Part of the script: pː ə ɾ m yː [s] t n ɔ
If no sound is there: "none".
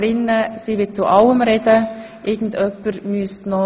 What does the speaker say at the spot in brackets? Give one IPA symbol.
s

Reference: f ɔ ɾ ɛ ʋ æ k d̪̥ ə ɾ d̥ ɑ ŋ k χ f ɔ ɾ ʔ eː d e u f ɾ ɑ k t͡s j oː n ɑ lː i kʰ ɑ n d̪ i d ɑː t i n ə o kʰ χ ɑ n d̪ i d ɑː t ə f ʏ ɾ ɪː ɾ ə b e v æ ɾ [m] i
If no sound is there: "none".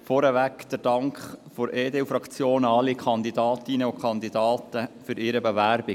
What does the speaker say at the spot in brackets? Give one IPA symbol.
b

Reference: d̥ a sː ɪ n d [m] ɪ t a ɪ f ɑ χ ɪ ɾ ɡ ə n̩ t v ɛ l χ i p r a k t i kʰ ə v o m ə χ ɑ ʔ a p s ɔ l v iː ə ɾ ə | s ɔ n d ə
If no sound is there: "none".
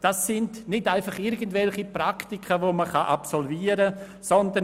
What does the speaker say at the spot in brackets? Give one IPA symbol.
n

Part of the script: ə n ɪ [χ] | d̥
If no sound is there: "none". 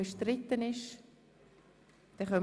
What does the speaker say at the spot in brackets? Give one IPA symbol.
ʃ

